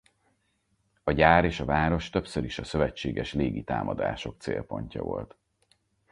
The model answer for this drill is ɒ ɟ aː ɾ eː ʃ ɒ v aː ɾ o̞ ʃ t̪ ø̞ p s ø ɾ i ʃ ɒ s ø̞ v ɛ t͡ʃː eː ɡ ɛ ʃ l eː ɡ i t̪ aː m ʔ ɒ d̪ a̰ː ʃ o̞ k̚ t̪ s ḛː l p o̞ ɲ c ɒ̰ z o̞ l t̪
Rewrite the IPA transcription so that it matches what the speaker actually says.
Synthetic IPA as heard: ɒ ɟ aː ɾ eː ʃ ɒ v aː ɾ o̞ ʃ t̪ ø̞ p s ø ɾ i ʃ ɒ s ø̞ v ɛ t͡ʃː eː ɡ ɛ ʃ l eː ɡ i t̪ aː m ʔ ɒ d̪ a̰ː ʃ o̞ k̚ t̪ s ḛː l p o̞ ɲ c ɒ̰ v o̞ l t̪